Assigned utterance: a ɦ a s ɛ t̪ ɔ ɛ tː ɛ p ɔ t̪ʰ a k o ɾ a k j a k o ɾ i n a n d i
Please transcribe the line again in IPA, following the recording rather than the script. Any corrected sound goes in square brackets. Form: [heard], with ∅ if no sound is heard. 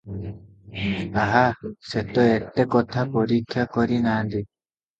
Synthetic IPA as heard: a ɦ a s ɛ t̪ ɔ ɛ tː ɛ [k] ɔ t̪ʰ a k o ɾ [i] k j a k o ɾ i n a n d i

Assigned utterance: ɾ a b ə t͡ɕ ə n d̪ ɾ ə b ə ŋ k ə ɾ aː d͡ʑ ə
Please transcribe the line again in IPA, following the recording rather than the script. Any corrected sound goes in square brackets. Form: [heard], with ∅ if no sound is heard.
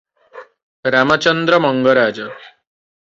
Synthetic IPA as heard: ɾ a [m] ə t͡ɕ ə n d̪ ɾ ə [m] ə ŋ [ɡ] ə ɾ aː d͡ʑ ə

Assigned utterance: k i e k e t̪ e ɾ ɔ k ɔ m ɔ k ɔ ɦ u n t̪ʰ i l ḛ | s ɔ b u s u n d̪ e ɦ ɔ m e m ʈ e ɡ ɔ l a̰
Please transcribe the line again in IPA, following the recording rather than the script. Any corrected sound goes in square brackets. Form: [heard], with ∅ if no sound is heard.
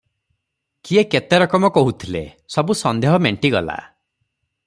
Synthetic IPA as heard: k i e k e t̪ e ɾ ɔ k ɔ m ɔ k ɔ ɦ u [∅] t̪ʰ i l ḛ | s ɔ b u s [ɔ] n d̪ e ɦ ɔ m e [ɳ] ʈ [i] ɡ ɔ l a̰

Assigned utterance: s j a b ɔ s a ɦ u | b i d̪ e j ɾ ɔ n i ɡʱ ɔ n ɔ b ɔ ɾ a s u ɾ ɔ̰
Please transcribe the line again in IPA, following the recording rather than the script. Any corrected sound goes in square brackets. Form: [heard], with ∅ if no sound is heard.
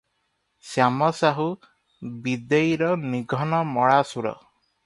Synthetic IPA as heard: s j a [m] ɔ s a ɦ u | b i d̪ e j ɾ ɔ n i ɡʱ ɔ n ɔ [m] ɔ [ɭ] a s u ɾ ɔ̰

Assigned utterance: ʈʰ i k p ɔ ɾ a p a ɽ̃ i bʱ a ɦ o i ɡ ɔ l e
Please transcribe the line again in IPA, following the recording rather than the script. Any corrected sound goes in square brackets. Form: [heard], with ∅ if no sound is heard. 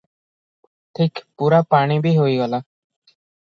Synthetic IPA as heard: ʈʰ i k p [u] ɾ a p a ɽ̃ i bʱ [i] ɦ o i ɡ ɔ l [a]

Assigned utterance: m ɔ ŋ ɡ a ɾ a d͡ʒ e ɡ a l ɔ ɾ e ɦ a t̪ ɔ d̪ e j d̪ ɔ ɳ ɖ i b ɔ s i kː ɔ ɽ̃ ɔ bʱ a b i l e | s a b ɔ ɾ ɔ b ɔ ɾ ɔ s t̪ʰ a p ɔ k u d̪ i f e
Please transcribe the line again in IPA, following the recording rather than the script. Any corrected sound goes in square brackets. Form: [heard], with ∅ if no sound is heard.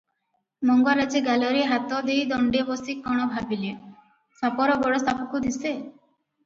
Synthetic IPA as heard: m ɔ ŋ ɡ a ɾ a d͡ʒ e ɡ a l ɔ ɾ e ɦ a t̪ ɔ d̪ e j d̪ ɔ ɳ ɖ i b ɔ s i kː ɔ ɽ̃ ɔ bʱ a b i l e | s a [p] ɔ ɾ ɔ b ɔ [ɽ] ɔ s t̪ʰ a p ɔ k u d̪ i [s] e

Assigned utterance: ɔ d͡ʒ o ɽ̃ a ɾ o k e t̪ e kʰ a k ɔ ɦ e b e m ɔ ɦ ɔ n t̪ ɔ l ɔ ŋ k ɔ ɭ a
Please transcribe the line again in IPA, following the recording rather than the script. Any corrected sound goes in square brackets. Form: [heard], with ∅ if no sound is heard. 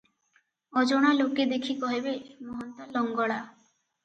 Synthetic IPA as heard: ɔ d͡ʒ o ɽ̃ a [l] o k e [d̪] e kʰ [i] k ɔ ɦ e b e m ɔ ɦ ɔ n t̪ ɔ l ɔ ŋ [ɡ] ɔ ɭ a

